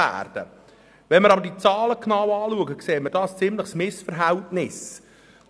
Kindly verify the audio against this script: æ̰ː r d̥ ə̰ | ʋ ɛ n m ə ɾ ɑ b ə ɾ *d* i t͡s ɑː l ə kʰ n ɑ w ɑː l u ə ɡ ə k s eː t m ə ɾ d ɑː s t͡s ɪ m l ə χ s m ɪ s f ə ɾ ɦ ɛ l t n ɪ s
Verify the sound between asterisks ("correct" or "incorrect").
correct